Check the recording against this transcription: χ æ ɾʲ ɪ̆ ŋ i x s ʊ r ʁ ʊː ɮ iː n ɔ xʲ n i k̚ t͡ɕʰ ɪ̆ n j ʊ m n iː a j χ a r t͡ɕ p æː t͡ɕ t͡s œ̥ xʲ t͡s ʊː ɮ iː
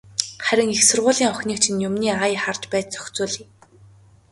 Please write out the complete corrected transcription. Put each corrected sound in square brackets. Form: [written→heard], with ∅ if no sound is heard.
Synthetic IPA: χ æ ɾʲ ɪ̆ ŋ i x s ʊ r ʁ ʊː ɮ iː [n→ŋ] ɔ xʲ n [i→iː] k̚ t͡ɕʰ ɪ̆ n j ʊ m n iː a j χ a r t͡ɕ p æː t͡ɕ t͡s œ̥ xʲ t͡s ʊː ɮ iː